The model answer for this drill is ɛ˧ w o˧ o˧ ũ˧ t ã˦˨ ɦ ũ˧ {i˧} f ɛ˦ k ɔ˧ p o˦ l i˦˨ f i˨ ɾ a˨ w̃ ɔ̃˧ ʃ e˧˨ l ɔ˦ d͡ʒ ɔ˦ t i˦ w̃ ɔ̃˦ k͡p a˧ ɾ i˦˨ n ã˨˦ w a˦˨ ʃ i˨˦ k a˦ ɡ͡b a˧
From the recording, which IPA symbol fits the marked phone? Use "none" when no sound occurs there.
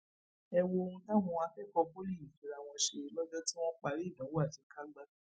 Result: a˧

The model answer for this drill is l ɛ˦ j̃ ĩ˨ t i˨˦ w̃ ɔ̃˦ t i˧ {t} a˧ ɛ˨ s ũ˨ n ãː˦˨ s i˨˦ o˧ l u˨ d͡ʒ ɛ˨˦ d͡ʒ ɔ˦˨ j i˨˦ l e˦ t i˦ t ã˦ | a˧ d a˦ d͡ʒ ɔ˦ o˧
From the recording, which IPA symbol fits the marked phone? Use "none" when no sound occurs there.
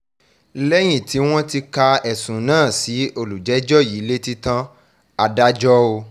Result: k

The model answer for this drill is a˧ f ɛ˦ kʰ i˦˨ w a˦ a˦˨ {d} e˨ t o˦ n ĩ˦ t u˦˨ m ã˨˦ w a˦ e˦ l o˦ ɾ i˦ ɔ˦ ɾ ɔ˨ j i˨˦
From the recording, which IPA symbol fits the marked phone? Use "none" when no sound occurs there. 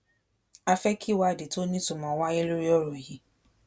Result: d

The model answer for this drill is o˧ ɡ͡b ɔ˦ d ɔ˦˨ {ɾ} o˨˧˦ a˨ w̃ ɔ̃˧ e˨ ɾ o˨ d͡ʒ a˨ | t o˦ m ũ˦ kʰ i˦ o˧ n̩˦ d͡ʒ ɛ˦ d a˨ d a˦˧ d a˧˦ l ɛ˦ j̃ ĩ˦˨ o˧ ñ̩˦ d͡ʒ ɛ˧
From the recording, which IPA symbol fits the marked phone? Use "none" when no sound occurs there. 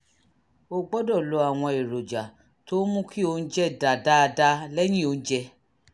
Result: l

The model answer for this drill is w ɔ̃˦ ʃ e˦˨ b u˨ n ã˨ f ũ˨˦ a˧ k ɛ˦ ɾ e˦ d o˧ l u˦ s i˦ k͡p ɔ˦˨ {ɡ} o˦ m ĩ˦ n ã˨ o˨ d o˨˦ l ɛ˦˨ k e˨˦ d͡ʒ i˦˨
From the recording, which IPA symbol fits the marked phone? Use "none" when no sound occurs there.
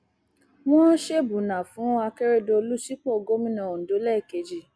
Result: ɡ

